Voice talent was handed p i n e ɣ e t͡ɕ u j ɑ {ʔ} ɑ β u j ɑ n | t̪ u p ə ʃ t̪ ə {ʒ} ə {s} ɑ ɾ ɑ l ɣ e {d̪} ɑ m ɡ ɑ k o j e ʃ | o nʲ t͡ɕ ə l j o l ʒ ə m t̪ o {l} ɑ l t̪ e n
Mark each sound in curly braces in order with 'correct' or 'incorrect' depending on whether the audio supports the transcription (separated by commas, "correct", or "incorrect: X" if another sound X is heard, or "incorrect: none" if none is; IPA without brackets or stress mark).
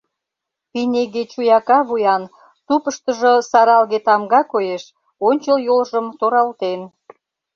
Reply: incorrect: k, correct, correct, incorrect: t̪, incorrect: ɾ